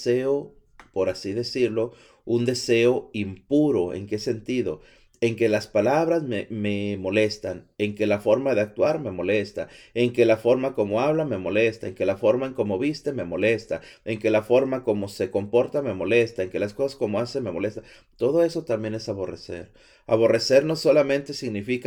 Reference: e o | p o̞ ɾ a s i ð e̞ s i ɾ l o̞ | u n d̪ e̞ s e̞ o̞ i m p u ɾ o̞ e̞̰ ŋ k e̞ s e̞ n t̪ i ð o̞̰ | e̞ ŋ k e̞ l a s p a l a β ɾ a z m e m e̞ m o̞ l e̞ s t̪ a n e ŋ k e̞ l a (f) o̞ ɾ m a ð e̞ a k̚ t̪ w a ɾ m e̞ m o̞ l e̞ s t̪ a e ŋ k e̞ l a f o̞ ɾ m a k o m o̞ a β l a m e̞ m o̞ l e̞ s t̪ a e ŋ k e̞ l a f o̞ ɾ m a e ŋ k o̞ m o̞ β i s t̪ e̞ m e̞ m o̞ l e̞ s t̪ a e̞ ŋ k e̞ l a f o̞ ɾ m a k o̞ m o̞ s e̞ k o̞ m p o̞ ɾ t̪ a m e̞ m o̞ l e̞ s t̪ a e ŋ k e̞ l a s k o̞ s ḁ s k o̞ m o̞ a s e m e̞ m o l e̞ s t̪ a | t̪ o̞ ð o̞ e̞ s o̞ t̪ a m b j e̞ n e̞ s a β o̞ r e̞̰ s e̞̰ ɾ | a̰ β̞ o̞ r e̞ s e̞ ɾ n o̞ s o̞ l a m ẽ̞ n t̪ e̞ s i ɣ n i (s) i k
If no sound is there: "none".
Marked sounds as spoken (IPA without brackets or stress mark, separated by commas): f, f